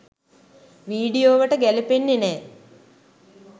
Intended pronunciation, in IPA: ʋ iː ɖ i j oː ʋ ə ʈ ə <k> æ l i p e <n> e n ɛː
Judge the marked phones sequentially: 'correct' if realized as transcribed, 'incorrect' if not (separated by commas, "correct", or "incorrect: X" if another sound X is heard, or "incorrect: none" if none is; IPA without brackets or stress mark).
incorrect: ɡ, incorrect: nː